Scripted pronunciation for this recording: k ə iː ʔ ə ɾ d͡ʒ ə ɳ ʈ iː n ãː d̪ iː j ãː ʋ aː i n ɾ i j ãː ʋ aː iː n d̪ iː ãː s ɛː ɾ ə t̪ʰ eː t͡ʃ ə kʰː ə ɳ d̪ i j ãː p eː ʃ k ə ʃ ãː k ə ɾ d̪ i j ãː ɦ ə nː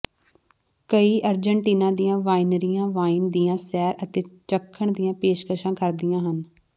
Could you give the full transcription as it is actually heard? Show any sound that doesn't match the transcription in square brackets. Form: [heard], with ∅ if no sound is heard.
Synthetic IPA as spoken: k ə iː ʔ ə ɾ d͡ʒ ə ɳ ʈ iː n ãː d̪ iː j ãː ʋ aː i n ɾ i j ãː ʋ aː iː n d̪ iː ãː s ɛː ɾ ə [t̪] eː t͡ʃ ə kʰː ə ɳ d̪ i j ãː p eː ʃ k ə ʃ ãː k ə ɾ d̪ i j ãː ɦ ə [n]